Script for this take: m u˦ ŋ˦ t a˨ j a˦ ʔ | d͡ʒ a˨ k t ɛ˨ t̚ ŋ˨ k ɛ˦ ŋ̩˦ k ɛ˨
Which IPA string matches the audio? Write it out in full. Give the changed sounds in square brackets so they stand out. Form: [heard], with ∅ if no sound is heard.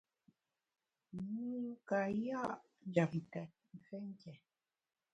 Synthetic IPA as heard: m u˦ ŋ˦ [k] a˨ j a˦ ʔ | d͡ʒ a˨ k t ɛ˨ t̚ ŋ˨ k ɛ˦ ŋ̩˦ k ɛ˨